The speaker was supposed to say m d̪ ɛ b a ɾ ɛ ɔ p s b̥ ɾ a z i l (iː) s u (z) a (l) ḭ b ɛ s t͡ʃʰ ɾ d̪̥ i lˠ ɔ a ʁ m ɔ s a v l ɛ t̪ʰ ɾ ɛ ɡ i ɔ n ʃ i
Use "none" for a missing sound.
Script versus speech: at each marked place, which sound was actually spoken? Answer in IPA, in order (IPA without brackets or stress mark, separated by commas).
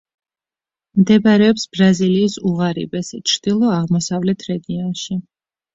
iː, ʁ, ɾ